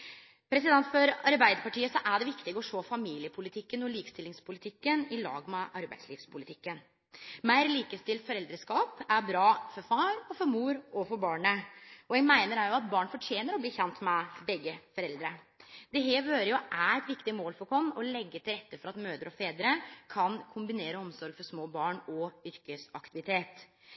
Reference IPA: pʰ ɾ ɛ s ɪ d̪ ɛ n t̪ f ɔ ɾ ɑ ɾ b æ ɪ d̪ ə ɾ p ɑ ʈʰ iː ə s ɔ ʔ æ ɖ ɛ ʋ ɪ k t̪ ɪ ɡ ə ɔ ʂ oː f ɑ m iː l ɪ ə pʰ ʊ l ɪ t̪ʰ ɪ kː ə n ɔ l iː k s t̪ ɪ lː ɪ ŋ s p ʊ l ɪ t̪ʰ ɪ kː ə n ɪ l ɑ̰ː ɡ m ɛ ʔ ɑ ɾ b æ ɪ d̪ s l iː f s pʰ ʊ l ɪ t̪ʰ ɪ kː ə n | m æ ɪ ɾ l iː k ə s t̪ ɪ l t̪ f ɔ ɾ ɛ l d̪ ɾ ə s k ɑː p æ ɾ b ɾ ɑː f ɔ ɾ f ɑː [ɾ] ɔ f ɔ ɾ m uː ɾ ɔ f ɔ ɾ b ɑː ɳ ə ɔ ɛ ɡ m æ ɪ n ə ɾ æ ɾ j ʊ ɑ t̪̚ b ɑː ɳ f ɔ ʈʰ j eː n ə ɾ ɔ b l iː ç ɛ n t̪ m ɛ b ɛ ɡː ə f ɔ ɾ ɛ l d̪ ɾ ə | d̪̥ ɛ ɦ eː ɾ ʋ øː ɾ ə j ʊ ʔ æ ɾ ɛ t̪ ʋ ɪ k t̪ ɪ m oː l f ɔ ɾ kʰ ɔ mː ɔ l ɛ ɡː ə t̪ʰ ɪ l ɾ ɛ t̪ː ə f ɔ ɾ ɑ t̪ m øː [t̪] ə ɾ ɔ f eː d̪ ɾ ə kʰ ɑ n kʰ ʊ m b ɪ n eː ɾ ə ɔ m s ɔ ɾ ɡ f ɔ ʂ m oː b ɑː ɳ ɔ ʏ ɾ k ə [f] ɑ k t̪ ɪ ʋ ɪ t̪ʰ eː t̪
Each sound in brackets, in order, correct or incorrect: correct, incorrect: d̪, incorrect: s

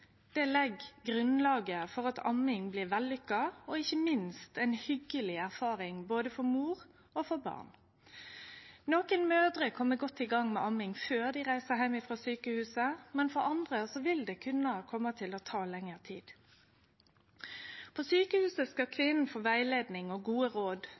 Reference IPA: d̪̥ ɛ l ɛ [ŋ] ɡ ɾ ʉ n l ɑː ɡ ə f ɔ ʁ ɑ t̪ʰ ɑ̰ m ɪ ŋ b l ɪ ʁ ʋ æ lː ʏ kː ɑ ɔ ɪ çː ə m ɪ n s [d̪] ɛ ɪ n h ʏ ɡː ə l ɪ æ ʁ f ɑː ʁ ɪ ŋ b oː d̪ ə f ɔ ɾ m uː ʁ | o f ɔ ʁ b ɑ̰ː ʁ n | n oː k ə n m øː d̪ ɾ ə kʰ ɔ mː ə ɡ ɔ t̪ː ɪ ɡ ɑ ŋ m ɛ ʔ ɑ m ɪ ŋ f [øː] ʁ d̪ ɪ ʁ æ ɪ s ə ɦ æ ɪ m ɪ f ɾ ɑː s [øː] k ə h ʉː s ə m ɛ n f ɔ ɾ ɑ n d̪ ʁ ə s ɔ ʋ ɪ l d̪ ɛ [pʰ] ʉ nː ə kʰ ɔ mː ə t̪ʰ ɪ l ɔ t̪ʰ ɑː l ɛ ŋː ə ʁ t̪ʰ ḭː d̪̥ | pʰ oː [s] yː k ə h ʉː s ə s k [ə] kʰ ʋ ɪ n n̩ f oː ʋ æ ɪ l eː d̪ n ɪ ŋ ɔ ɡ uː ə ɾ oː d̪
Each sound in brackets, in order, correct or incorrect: incorrect: ɡ, incorrect: t̪, correct, incorrect: yː, incorrect: kʰ, correct, incorrect: ɑ

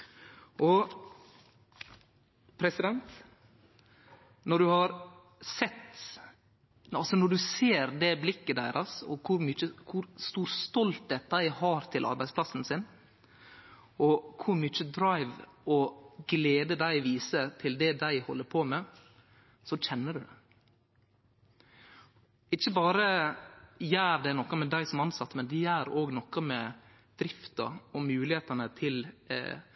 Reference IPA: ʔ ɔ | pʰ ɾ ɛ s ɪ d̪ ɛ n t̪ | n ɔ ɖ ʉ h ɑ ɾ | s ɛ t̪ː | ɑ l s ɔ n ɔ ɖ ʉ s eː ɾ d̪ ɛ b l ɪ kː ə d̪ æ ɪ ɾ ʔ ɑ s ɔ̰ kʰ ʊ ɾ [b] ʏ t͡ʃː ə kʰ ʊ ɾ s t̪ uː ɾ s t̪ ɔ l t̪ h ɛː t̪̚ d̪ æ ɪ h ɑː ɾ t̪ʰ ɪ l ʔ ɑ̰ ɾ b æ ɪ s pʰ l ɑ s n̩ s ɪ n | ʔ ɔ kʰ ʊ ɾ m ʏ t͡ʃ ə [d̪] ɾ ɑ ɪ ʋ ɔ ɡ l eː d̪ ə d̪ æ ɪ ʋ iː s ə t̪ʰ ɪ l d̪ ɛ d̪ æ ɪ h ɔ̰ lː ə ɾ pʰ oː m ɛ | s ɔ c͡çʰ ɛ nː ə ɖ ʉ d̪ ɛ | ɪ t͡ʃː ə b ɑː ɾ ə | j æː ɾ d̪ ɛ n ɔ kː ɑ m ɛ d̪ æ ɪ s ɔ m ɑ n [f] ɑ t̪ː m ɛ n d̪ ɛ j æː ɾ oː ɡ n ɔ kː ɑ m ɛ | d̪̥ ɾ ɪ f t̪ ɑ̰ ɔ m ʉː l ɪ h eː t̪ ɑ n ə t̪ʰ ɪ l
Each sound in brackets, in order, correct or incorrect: incorrect: m, correct, incorrect: s

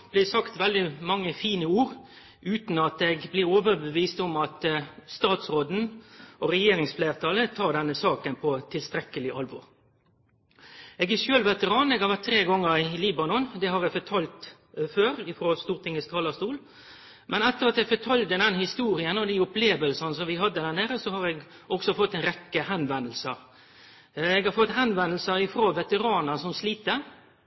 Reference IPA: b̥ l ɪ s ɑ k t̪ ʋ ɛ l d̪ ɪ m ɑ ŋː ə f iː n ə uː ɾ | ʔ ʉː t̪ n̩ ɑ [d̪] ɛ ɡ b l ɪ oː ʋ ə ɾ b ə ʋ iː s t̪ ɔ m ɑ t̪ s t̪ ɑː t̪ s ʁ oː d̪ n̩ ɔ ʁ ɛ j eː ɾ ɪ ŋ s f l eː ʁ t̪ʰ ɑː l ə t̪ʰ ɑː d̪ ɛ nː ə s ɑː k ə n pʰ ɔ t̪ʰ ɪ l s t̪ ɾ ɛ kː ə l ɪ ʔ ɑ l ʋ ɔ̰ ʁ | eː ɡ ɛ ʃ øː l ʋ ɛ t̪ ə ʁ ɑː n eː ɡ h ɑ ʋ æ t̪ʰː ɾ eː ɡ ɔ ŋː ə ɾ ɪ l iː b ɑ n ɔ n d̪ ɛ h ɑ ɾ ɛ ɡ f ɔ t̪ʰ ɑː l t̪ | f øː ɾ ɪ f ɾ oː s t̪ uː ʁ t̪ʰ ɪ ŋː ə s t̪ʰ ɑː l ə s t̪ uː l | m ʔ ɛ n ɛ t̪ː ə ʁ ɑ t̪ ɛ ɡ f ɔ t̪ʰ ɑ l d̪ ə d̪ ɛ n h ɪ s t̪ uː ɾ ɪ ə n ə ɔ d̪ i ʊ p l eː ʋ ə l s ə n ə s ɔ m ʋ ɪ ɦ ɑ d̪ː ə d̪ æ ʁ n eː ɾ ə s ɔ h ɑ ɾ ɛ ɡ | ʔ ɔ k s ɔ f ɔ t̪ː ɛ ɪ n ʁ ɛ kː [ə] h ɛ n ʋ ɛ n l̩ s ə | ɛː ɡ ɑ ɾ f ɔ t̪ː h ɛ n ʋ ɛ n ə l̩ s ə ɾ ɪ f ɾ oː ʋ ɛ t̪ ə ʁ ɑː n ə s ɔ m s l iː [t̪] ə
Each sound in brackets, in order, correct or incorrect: incorrect: t̪, correct, correct

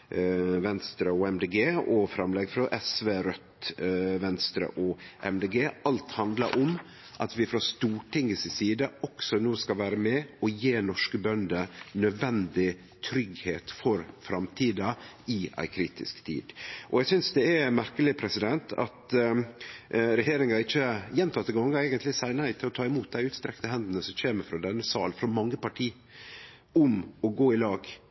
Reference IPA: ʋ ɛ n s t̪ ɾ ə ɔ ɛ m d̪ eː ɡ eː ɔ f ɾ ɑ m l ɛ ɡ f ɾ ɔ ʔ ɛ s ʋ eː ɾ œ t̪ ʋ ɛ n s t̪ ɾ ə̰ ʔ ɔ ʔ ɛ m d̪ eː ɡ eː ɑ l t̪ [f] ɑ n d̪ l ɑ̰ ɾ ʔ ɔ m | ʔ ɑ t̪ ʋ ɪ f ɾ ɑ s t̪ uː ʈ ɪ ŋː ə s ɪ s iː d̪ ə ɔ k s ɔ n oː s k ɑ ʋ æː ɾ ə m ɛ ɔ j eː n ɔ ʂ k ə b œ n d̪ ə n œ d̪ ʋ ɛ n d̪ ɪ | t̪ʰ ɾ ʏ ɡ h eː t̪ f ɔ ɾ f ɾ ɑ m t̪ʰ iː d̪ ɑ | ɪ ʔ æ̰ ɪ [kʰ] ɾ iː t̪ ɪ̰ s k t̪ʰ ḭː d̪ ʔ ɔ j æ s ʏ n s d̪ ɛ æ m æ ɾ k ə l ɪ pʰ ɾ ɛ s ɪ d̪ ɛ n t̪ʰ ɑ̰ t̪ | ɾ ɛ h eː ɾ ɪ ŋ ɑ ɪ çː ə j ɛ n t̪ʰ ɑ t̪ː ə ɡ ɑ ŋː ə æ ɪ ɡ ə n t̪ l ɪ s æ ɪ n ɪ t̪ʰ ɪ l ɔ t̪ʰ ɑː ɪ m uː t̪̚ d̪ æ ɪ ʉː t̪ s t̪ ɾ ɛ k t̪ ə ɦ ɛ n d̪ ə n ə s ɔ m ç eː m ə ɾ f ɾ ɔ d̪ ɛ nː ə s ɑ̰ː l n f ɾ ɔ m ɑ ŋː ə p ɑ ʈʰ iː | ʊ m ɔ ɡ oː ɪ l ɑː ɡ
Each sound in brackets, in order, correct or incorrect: incorrect: h, correct

